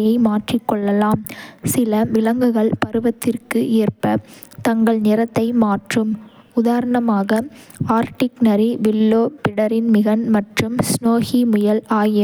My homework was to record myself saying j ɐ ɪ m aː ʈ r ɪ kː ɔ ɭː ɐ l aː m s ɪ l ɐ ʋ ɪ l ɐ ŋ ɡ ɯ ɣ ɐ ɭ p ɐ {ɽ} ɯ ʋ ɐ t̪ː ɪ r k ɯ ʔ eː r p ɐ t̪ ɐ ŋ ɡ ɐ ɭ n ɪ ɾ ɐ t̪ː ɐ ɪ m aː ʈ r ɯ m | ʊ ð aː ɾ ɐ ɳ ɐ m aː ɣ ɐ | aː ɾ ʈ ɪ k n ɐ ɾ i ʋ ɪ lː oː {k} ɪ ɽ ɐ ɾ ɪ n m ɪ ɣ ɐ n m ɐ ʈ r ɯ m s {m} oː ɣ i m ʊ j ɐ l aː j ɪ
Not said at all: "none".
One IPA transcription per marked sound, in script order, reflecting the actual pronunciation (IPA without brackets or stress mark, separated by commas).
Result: ɾ, p, n